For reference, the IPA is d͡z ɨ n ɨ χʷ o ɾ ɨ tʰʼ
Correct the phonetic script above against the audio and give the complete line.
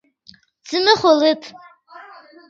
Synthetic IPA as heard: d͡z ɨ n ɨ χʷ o l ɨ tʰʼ